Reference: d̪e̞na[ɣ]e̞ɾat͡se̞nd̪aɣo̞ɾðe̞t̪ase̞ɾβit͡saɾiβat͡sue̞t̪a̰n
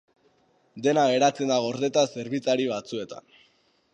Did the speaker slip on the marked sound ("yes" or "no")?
no